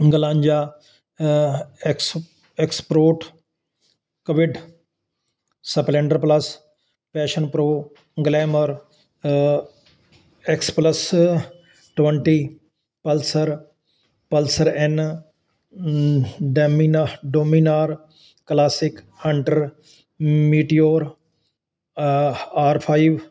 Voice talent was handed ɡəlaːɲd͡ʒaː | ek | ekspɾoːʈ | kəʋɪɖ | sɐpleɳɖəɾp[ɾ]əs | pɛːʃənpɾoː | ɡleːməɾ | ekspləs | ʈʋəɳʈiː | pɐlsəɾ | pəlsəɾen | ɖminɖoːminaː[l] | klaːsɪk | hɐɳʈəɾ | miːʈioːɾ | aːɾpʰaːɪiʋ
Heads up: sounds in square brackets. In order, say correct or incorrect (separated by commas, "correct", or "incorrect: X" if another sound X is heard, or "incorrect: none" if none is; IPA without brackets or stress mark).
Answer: incorrect: l, incorrect: ɾ